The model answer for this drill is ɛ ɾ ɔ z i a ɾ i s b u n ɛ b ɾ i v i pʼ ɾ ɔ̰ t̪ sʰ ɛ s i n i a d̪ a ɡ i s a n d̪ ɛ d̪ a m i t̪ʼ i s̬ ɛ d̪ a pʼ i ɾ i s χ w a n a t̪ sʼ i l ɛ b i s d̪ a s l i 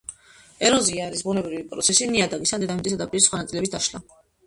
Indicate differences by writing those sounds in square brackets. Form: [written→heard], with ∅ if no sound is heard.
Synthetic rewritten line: ɛ ɾ ɔ z i a ɾ i s b u n ɛ b ɾ i v i pʼ ɾ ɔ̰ t̪ sʰ ɛ s i n i a d̪ a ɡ i s a n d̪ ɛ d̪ a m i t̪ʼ i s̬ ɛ d̪ a pʼ i ɾ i s χ w a n a t̪ sʼ i l ɛ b i s d̪ a [s→ʃ] l [i→a]